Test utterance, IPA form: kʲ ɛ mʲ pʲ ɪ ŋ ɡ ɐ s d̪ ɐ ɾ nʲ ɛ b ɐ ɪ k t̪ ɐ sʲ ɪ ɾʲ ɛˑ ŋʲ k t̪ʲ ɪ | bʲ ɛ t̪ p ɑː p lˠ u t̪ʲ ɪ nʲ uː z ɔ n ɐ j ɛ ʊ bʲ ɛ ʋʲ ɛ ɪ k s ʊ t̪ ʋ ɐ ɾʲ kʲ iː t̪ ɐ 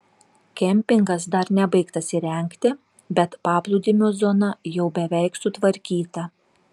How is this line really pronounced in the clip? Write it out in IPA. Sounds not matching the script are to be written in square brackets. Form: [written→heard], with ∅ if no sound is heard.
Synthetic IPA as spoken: kʲ ɛ mʲ pʲ ɪ ŋ ɡ ɐ s d̪ ɐ ɾ nʲ ɛ b ɐ ɪ k t̪ ɐ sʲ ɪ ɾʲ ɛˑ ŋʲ k t̪ʲ ɪ | bʲ ɛ t̪ p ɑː p lˠ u [t̪ʲ→d̪ʲ] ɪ [nʲ→mʲ] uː z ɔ n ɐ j ɛ ʊ bʲ ɛ ʋʲ ɛ ɪ k s ʊ t̪ ʋ ɐ ɾʲ kʲ iː t̪ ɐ